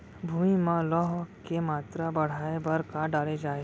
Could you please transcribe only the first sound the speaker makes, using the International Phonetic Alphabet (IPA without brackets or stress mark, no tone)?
bʱ